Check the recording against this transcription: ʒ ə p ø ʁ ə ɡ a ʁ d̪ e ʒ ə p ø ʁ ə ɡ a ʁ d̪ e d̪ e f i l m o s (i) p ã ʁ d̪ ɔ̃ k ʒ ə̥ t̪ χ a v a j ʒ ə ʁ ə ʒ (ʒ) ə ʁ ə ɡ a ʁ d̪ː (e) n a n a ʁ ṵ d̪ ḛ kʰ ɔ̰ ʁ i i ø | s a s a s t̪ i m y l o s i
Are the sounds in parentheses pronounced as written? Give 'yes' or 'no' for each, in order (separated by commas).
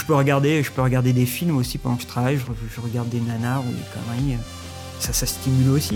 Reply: yes, yes, yes